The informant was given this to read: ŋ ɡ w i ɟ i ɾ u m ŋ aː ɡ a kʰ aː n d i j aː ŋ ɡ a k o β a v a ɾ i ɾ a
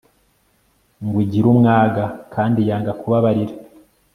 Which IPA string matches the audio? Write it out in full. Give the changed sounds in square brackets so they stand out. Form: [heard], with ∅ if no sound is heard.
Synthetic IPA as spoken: ŋ ɡ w i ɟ i ɾ u m ŋ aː ɡ a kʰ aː n d i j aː ŋ ɡ a k [u] β a [β] a ɾ i ɾ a